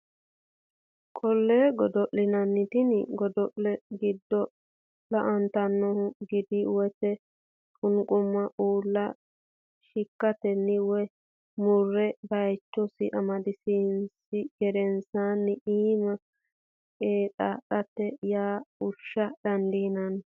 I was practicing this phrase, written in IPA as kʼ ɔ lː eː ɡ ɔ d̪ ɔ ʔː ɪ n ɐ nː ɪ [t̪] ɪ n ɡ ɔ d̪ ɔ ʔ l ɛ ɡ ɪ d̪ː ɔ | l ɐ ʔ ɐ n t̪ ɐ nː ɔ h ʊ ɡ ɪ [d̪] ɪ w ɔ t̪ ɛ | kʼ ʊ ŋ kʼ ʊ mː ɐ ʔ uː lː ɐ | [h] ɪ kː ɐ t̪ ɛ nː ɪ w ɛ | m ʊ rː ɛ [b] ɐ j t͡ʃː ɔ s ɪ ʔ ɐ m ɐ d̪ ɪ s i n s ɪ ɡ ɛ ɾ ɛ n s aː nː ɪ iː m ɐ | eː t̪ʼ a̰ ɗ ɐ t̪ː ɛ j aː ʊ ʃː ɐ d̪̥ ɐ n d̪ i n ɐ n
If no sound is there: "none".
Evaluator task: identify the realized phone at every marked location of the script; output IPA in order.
t̪, d̪, ʃ, b

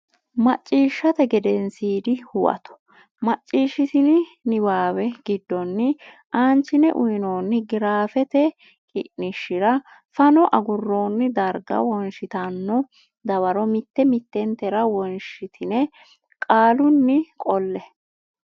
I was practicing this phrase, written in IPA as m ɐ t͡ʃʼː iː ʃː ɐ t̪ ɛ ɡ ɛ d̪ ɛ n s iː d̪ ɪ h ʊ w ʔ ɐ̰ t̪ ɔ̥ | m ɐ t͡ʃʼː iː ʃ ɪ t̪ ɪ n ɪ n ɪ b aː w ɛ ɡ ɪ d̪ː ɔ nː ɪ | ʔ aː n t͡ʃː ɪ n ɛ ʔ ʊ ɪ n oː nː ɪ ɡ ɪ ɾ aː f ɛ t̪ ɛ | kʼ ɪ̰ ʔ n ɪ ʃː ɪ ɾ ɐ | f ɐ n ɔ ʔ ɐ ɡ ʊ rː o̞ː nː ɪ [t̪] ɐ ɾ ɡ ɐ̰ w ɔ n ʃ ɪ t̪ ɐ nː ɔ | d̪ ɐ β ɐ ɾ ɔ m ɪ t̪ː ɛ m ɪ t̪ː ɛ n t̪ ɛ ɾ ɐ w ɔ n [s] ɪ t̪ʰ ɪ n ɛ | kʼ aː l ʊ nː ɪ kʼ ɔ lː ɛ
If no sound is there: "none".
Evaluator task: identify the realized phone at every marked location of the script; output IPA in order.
d̪, ʃ

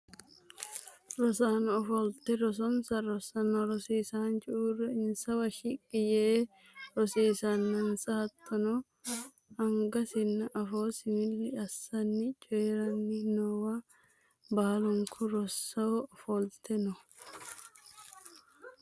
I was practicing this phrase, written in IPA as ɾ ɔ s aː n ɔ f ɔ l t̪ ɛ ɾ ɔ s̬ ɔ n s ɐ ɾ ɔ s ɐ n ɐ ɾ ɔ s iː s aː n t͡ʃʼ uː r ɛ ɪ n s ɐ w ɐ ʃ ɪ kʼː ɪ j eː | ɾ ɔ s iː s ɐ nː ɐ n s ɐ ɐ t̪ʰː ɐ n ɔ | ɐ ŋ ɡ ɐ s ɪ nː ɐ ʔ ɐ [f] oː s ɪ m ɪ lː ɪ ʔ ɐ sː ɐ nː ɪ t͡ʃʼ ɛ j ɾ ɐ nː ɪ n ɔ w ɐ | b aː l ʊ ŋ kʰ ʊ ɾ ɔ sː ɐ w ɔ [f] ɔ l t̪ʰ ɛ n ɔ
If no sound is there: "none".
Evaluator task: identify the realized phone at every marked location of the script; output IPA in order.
f, f

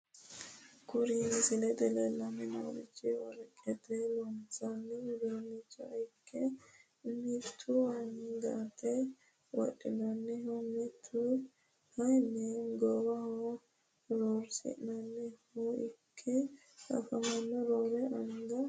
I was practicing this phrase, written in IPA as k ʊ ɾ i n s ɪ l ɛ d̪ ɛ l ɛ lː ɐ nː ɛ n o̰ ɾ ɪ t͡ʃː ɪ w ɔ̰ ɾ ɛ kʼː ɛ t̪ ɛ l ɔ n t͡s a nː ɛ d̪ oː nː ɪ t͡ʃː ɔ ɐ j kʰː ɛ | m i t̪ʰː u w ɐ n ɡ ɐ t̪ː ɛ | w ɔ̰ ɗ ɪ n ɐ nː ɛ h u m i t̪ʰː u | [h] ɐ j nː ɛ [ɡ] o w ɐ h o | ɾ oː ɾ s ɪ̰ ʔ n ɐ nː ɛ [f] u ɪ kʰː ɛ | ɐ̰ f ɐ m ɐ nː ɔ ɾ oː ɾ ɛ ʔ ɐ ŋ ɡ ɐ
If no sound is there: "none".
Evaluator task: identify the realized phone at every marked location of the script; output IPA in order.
h, ɡ, h

